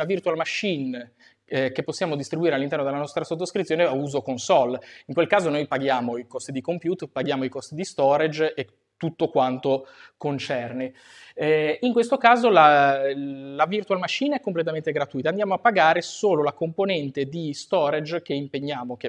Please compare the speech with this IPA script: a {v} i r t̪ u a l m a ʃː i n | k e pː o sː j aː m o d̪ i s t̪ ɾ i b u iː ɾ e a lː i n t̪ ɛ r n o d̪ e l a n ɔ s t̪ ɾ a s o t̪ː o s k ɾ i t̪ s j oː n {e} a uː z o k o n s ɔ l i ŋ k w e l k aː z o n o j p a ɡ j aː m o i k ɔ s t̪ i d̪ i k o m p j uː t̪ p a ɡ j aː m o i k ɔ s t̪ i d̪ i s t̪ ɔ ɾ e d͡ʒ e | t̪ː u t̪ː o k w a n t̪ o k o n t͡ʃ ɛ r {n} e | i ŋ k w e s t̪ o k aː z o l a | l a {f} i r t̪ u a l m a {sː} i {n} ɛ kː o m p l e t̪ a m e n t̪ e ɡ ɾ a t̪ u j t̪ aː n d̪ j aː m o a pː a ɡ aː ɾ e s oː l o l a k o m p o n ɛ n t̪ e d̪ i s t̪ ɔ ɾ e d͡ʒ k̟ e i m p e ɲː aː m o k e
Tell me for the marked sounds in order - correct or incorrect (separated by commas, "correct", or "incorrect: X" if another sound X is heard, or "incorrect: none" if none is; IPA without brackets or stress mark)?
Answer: correct, correct, correct, incorrect: v, incorrect: ʃː, correct